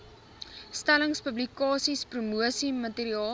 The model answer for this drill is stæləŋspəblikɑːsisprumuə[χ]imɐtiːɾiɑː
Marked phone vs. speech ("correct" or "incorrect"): incorrect